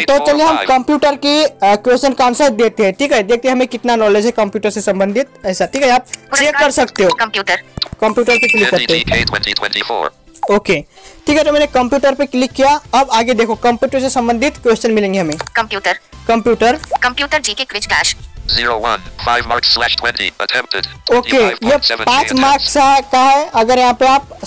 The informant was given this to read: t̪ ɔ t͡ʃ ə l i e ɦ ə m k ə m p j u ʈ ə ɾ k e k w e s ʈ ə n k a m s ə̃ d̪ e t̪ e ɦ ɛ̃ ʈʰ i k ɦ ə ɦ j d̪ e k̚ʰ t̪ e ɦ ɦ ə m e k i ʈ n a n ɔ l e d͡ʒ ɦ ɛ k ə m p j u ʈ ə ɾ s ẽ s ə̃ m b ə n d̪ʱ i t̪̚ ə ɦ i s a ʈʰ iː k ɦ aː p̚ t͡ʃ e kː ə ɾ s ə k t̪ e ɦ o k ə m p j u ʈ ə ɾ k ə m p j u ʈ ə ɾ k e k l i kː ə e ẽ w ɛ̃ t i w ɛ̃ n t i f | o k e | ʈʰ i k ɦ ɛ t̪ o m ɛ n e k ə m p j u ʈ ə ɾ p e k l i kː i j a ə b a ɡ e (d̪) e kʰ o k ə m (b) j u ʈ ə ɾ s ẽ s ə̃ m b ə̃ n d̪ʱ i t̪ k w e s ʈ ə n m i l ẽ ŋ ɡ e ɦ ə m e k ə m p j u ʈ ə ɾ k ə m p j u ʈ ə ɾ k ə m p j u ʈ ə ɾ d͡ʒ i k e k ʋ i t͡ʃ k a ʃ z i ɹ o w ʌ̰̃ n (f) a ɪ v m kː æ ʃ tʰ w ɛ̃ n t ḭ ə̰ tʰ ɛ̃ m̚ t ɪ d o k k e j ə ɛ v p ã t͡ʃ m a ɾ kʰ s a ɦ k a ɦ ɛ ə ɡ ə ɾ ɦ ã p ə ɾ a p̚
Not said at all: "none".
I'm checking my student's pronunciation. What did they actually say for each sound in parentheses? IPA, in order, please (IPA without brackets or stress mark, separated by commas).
d̪, p, f